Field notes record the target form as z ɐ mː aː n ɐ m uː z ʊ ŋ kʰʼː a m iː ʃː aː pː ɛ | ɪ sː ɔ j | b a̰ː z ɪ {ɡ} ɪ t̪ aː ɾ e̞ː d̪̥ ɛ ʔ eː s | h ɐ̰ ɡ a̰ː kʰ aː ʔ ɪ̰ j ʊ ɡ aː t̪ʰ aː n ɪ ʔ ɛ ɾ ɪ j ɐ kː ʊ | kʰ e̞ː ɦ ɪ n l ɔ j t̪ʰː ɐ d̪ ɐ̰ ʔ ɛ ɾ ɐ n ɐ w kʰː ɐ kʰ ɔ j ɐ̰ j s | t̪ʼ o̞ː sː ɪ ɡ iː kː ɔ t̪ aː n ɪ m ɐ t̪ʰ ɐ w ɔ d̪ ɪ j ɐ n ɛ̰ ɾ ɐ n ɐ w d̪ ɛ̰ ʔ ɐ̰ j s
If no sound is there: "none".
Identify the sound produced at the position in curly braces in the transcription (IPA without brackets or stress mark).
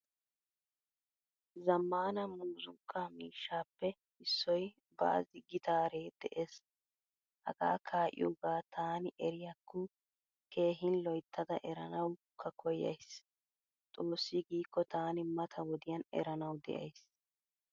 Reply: ɡ